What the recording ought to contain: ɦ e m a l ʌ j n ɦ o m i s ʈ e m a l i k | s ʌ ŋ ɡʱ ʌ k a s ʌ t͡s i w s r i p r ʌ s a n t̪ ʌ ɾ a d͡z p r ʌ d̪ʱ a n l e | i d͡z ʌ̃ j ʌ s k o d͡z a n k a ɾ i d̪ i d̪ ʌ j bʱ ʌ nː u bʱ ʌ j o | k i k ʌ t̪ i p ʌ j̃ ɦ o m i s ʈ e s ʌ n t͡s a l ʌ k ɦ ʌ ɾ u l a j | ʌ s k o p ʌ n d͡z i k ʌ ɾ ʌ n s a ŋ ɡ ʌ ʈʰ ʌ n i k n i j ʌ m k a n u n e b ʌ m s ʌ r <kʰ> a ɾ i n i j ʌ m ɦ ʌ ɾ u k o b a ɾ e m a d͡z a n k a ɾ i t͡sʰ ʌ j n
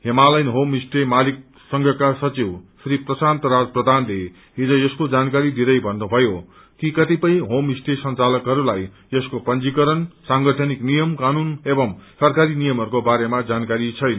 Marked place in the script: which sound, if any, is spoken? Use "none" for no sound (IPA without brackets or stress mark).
k